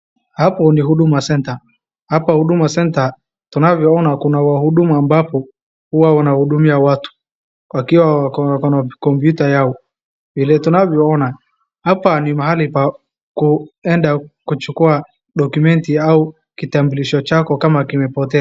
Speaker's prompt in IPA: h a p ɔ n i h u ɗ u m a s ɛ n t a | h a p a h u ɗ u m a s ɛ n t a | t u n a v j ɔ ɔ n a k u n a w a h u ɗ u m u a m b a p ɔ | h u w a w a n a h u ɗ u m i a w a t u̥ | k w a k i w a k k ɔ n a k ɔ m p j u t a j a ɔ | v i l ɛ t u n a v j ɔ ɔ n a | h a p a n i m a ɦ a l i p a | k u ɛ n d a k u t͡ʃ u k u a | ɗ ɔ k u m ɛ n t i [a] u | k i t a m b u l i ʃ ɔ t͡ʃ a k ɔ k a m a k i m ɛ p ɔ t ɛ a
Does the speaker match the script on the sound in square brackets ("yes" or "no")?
yes